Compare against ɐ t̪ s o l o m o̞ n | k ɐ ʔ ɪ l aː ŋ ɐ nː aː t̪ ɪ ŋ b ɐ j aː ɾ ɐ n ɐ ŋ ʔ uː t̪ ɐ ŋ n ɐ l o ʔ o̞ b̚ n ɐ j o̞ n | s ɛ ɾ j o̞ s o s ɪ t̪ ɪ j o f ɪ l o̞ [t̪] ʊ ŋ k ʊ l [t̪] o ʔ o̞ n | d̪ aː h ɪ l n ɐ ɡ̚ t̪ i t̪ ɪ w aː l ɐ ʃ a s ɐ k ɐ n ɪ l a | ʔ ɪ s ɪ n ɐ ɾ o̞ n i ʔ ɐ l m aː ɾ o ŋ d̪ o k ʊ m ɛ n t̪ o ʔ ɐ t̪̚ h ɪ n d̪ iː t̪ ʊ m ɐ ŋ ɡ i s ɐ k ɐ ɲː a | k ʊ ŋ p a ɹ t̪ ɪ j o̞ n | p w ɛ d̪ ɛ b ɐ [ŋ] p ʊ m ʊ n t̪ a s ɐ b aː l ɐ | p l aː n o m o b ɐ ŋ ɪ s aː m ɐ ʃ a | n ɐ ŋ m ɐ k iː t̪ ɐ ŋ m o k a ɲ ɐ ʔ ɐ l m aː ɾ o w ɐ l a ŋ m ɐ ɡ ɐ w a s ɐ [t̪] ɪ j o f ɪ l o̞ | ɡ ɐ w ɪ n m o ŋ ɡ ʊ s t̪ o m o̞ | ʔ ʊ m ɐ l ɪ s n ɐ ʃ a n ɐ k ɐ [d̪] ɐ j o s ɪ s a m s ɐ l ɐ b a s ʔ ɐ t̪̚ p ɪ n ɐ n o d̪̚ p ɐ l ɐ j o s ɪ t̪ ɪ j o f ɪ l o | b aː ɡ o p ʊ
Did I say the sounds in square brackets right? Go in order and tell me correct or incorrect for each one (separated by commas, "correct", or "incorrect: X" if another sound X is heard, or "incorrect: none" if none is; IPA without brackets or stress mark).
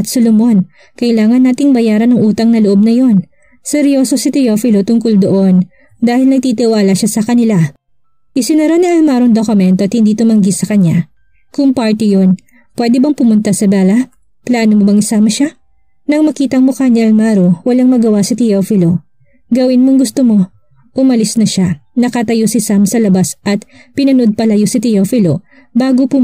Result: correct, incorrect: d̪, correct, correct, incorrect: t̪